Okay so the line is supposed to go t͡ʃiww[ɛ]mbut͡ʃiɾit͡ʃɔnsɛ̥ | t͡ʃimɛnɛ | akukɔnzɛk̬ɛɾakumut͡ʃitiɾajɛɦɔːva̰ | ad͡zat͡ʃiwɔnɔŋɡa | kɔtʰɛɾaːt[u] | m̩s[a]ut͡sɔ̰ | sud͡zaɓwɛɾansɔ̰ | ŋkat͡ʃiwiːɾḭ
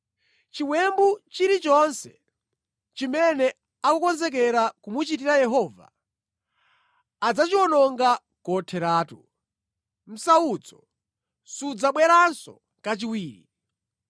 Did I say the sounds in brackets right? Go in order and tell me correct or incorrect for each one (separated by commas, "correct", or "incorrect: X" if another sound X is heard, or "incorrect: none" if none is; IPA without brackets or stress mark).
correct, correct, correct